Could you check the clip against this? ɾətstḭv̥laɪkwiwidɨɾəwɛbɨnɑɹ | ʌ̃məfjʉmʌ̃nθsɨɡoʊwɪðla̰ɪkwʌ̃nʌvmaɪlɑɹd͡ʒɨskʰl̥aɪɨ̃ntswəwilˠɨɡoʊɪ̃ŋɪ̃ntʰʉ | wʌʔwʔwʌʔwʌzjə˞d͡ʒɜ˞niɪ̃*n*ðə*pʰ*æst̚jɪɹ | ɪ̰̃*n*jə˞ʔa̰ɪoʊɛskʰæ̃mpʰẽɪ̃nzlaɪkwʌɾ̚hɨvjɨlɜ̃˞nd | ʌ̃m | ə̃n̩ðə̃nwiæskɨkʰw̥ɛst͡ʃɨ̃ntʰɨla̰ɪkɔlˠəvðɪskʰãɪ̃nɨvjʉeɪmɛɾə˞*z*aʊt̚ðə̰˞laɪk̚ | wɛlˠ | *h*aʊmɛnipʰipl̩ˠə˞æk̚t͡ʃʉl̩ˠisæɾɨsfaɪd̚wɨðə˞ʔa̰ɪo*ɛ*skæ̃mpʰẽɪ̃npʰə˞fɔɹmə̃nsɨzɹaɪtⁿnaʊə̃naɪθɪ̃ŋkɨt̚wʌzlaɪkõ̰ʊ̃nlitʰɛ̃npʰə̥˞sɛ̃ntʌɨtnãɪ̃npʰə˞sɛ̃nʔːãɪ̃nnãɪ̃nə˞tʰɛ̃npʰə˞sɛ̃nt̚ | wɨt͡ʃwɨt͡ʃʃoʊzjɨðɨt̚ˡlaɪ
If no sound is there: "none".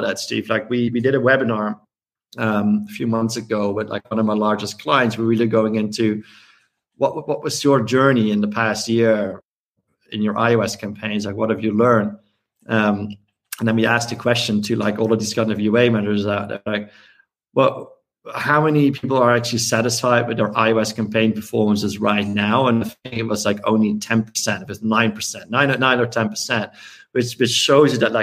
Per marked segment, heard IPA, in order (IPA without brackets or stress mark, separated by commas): n, pʰ, n, z, h, ɛ